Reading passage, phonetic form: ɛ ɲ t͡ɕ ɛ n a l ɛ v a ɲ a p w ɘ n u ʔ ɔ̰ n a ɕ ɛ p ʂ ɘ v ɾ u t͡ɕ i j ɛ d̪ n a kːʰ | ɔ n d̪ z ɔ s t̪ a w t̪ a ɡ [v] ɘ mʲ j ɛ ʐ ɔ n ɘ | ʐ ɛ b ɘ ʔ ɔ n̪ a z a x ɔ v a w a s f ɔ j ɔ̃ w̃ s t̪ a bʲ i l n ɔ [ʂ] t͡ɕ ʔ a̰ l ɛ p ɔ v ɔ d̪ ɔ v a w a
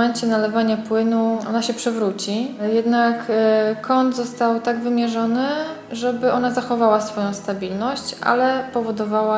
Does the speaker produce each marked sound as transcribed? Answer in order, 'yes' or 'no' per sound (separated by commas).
yes, no